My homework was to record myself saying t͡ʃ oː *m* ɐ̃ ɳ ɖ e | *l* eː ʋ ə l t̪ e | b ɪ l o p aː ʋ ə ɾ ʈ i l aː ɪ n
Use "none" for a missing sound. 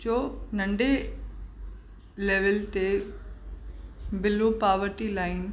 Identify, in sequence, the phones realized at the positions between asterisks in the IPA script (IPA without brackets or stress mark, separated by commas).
n, l